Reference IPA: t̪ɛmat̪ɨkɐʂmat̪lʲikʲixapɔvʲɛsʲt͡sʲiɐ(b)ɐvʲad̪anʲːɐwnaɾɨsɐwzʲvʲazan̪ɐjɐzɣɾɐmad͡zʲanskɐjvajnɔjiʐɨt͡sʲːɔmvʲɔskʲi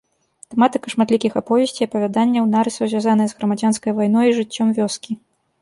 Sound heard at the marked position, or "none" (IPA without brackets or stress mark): p